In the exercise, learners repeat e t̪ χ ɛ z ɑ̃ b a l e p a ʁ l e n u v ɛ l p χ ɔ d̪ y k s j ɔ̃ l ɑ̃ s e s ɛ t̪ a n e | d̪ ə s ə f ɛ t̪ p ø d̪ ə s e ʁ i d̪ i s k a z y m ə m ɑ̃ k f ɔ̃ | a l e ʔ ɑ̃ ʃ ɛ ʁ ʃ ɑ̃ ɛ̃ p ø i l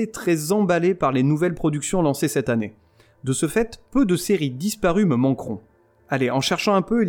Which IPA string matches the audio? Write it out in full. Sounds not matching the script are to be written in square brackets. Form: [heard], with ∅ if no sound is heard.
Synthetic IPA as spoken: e t̪ χ ɛ z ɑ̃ b a l e p a ʁ l e n u v ɛ l p χ ɔ d̪ y k s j ɔ̃ l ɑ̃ s e s ɛ t̪ a n e | d̪ ə s ə f ɛ t̪ p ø d̪ ə s e ʁ i d̪ i s [p] a [ʁ] y m ə m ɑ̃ k [χ] ɔ̃ | a l e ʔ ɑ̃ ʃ ɛ ʁ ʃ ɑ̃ ɛ̃ p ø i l